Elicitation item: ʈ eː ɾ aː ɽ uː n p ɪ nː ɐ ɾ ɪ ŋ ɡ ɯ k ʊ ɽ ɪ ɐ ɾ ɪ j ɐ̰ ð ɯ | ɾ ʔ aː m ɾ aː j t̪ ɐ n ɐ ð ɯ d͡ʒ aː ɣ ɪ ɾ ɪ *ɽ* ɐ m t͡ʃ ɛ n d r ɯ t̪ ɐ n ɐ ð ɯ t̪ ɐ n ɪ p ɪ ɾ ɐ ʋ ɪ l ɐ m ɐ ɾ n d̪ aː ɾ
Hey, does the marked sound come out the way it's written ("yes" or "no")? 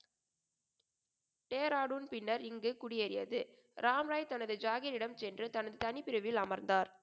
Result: yes